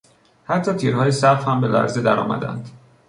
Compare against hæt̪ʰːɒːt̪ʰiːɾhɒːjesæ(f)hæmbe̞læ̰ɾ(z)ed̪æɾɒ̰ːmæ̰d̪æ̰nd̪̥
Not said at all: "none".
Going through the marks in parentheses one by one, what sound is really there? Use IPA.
f, z

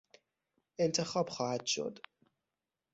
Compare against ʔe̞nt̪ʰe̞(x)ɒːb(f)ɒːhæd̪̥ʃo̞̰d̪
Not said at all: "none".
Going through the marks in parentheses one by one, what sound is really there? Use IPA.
x, x

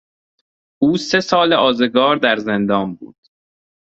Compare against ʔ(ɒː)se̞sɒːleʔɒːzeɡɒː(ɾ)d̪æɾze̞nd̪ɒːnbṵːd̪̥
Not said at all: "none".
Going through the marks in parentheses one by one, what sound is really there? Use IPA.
uː, ɾ

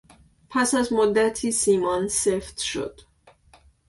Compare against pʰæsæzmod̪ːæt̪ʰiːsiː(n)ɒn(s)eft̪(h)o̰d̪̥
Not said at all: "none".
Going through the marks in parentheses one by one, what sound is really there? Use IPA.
m, s, ʃ

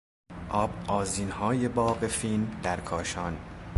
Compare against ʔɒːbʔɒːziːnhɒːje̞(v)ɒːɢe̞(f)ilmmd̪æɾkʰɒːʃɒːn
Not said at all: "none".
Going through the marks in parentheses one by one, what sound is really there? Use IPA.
b, f

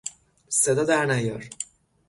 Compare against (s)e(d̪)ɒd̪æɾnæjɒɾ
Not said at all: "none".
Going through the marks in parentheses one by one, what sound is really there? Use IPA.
s, d̪

